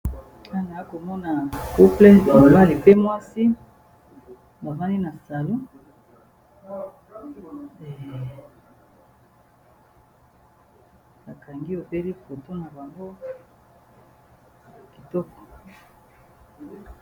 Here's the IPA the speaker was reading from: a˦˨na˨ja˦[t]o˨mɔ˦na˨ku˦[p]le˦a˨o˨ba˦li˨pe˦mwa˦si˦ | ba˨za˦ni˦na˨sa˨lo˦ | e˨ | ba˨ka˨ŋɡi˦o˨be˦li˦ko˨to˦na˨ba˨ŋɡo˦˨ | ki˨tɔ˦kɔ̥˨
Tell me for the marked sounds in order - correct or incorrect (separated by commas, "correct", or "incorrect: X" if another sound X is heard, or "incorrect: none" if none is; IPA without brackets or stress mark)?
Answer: incorrect: k, correct